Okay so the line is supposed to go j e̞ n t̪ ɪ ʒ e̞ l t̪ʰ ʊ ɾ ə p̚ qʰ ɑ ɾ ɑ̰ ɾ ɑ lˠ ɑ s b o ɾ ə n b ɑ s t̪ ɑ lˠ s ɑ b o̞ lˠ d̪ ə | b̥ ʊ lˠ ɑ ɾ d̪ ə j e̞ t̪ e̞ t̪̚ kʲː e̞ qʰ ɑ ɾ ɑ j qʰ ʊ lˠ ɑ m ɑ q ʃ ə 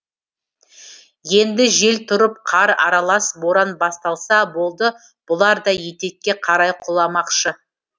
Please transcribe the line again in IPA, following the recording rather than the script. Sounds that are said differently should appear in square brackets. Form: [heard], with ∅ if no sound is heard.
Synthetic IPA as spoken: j e̞ n [d̪] ɪ ʒ e̞ l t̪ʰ ʊ ɾ ə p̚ qʰ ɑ ɾ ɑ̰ ɾ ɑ lˠ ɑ s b o ɾ [ɑ] n b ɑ s t̪ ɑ lˠ s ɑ b o̞ lˠ d̪ ə | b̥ ʊ lˠ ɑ ɾ d̪ [ɑ] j e̞ t̪ e̞ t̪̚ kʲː e̞ qʰ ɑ ɾ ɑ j qʰ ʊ lˠ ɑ m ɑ q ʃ ə